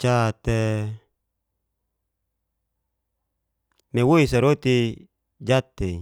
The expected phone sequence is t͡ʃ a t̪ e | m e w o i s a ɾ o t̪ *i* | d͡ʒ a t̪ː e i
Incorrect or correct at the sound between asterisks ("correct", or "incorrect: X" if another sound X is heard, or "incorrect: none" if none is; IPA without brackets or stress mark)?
correct